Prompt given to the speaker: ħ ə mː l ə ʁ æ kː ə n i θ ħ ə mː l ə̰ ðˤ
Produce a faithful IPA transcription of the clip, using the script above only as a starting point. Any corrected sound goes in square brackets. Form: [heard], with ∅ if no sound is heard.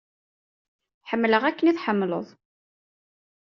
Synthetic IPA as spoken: ħ ə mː l ə ʁ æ kː ə n i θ ħ ə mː l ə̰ ðˤ